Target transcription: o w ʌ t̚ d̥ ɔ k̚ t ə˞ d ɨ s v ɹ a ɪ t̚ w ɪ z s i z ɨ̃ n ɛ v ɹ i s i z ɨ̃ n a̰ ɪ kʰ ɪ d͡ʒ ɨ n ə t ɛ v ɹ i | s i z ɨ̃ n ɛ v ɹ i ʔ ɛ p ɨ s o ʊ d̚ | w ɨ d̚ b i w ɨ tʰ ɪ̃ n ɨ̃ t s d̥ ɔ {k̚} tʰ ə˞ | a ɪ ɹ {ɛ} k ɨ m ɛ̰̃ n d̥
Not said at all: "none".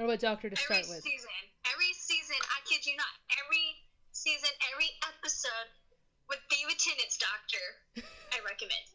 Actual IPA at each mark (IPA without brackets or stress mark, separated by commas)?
k̚, ɛ